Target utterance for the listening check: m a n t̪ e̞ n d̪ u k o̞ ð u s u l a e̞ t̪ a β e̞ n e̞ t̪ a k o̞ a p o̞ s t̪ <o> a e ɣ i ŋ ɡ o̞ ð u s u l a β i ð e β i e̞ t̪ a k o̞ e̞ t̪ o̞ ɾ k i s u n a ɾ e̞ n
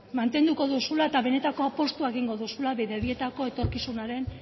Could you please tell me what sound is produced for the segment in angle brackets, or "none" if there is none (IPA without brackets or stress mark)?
u